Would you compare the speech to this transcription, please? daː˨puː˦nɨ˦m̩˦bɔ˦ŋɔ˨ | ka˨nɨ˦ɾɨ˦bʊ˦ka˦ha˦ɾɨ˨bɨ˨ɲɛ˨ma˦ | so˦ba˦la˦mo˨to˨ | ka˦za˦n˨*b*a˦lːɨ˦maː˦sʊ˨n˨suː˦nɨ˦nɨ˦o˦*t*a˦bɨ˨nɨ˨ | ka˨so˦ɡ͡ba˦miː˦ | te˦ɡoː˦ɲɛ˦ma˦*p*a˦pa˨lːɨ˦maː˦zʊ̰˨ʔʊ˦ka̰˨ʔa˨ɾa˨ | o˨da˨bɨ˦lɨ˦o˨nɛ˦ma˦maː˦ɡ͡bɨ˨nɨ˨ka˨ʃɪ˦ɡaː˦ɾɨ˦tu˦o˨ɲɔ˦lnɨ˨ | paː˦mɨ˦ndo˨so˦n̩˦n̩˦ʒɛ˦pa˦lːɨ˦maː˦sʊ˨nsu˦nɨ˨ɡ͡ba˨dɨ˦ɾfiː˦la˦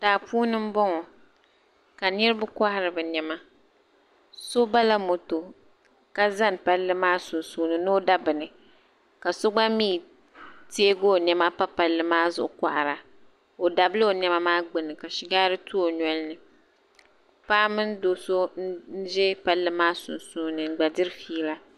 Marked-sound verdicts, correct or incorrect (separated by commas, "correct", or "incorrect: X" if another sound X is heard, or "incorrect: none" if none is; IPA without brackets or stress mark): incorrect: p, incorrect: d, correct